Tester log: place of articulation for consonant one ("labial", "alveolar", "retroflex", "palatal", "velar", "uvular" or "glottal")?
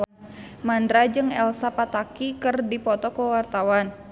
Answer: labial